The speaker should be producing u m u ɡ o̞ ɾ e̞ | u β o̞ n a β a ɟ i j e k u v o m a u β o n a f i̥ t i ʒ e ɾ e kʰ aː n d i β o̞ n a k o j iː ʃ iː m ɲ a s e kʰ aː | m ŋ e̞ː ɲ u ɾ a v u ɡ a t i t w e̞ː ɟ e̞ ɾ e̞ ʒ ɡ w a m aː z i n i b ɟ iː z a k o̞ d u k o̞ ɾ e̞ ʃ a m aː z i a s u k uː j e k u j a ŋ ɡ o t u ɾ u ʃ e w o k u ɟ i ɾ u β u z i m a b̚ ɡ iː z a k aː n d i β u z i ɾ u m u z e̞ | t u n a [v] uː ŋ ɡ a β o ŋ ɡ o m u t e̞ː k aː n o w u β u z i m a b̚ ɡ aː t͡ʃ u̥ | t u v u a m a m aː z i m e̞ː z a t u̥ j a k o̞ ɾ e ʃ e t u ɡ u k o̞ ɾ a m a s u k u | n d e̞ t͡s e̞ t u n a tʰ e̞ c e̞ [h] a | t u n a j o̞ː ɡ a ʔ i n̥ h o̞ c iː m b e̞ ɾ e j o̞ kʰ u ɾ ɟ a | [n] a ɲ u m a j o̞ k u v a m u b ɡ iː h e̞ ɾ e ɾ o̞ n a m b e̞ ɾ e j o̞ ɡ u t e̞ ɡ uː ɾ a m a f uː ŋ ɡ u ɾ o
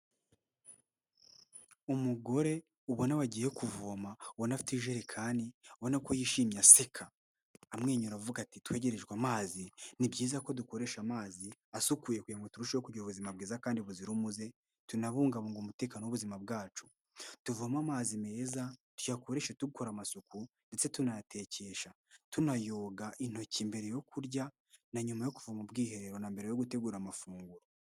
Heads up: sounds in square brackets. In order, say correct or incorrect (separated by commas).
incorrect, incorrect, correct